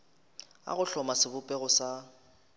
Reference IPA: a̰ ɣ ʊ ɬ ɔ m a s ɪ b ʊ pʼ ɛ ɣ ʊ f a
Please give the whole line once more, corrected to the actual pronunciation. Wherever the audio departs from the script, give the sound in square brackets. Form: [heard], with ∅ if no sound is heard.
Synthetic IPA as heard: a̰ ɣ ʊ ɬ ɔ m a s ɪ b ʊ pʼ ɛ ɣ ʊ [s] a